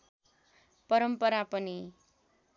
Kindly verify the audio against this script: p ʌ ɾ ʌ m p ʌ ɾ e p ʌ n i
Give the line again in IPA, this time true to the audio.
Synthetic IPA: p ʌ ɾ ʌ m p ʌ ɾ a p ʌ n i